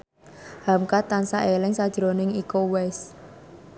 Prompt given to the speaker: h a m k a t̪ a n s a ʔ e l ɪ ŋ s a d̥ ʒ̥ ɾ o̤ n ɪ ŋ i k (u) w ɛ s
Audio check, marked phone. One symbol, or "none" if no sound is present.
o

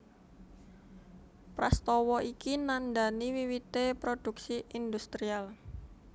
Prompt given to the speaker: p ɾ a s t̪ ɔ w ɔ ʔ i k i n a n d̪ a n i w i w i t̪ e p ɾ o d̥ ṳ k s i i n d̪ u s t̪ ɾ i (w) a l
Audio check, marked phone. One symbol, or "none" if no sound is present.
none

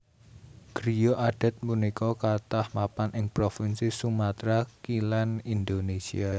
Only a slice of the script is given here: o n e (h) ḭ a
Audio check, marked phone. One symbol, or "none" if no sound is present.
s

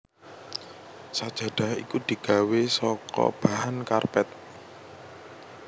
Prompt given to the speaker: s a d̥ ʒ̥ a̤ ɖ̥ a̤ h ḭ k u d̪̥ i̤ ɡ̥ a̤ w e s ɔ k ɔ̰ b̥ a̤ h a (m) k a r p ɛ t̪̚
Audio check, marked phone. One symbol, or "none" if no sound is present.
n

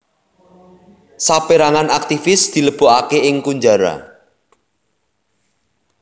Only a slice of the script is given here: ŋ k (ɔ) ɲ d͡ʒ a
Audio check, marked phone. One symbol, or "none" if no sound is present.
u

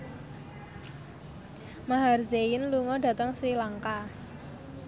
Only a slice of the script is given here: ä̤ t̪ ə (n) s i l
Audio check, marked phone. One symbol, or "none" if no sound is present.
ŋ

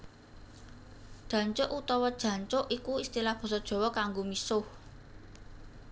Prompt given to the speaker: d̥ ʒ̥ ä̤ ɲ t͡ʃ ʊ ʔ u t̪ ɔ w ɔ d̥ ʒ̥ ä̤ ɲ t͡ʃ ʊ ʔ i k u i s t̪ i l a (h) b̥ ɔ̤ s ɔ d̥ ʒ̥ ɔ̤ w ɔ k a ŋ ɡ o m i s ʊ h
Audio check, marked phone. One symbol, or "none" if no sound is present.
h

